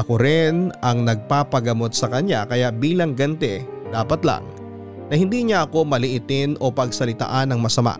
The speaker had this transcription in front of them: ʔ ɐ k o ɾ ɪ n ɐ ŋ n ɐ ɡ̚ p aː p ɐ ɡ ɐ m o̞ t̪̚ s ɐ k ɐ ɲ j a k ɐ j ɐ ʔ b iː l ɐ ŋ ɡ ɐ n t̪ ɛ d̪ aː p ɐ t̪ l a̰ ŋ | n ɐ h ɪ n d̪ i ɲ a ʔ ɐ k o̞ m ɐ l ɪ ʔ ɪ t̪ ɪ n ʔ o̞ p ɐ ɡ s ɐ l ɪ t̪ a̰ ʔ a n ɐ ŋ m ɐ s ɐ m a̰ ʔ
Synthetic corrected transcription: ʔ ɐ k o ɾ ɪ n ɐ ŋ n ɐ ɡ̚ p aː p ɐ ɡ ɐ m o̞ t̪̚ s ɐ k ɐ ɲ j a k ɐ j a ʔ b iː l ɐ ŋ ɡ ɐ n t̪ ɛ d̪ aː p ɐ t̪ l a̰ ŋ | n ɐ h ɪ n d̪ i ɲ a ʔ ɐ k o̞ m ɐ l ɪ ʔ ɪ t̪ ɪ n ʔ o̞ p ɐ ɡ s ɐ l ɪ t̪ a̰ ʔ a n ɐ ŋ m ɐ s ɐ m a̰ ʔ